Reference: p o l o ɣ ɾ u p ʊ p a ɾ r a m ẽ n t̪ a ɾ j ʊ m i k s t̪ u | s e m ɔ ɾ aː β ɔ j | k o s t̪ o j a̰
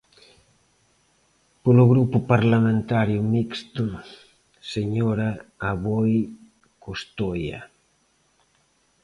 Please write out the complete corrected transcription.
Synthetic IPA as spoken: p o l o ɣ ɾ u p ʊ p a ɾ l a m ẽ n t̪ a ɾ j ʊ m i k s t̪ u | s e ɲ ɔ ɾ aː β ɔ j | k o s t̪ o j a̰